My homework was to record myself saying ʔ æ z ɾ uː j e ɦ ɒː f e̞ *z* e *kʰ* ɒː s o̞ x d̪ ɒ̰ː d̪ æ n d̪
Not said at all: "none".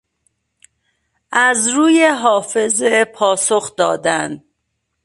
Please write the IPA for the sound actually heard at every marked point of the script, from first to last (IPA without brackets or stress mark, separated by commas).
z, pʰ